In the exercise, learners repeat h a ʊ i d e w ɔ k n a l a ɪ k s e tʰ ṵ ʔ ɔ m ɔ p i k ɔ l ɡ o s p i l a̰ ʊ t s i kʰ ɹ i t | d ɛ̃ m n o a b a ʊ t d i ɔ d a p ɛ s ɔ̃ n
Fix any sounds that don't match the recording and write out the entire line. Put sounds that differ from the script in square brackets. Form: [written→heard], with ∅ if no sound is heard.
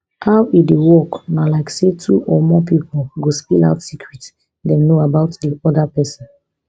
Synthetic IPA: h a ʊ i d e w ɔ k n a l a ɪ k s e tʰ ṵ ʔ ɔ m ɔ p i [k→p] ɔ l ɡ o s p i l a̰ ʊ t s i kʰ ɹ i t | d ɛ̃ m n o a b a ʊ t d i ɔ d a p ɛ s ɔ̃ n